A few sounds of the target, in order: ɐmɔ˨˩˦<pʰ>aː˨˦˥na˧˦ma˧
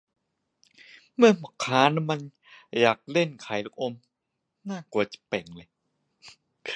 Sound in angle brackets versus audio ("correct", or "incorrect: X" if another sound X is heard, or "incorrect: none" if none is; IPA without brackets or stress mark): incorrect: kʰ